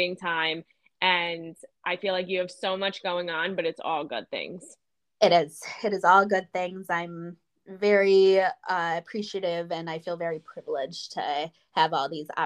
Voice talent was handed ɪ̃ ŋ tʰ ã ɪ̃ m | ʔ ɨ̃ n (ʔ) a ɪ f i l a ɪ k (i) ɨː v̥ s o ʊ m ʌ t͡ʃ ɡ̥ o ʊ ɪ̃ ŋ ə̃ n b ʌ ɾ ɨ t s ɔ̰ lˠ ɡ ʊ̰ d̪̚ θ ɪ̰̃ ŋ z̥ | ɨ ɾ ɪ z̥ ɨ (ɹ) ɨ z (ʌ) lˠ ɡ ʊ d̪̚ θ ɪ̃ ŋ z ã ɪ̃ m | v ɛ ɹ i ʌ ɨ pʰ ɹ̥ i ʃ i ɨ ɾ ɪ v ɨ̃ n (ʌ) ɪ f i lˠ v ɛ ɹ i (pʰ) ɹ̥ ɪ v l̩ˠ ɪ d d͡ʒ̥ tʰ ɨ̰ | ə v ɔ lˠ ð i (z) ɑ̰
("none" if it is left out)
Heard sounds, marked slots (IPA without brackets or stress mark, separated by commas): ʔ, j, ɾ, ɔ, a, pʰ, z